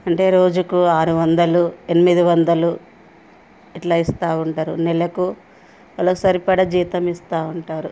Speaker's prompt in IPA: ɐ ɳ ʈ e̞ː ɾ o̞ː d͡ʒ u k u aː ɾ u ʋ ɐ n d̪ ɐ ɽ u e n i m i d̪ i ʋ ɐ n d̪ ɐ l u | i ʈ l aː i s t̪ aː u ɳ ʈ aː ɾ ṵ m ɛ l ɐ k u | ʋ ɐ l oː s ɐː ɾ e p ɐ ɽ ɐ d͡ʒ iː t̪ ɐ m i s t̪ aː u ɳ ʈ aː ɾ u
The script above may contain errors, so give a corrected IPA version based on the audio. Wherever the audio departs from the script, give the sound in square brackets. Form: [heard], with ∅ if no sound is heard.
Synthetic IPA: ɐ ɳ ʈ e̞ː ɾ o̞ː d͡ʒ u k u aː ɾ u ʋ ɐ n d̪ ɐ [l] u e n i m i d̪ i ʋ ɐ n d̪ ɐ l u | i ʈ l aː i s t̪ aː u ɳ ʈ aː ɾ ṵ [n] ɛ l ɐ k u | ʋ ɐ l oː s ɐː ɾ [i] p ɐ ɽ ɐ d͡ʒ iː t̪ ɐ m i s t̪ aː u ɳ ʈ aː ɾ u